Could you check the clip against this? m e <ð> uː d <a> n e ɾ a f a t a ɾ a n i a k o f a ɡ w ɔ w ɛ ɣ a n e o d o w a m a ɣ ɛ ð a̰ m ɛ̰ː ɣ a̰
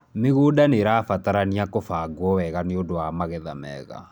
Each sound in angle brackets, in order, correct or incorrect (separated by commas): incorrect, correct